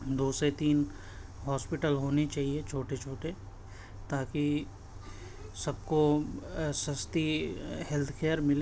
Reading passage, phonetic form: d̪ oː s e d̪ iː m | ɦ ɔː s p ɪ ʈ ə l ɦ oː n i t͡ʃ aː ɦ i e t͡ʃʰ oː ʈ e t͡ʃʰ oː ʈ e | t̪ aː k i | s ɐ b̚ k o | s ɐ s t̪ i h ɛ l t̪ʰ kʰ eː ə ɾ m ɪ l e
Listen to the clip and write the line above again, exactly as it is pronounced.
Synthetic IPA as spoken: d̪ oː s e t̪ iː n | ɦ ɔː s p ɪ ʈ ə l ɦ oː n i t͡ʃ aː ɦ i e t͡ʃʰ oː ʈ e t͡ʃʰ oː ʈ e | t̪ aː k i | s ɐ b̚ k o | s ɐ s t̪ i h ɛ l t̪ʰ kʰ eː ə ɾ m ɪ l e